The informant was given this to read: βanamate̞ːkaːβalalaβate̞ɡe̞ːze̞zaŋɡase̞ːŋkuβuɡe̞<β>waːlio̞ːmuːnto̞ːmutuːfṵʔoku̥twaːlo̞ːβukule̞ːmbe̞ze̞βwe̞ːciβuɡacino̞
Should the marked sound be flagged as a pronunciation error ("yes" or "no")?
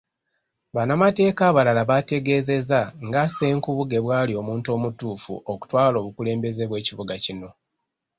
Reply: no